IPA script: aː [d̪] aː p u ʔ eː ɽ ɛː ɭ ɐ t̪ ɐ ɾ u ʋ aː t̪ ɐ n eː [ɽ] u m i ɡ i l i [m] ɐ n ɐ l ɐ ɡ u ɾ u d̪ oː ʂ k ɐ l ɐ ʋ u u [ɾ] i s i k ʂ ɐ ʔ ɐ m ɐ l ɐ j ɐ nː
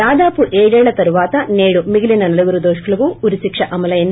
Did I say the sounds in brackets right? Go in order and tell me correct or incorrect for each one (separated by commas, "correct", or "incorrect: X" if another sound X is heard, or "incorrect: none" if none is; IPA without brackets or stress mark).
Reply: correct, correct, incorrect: n, correct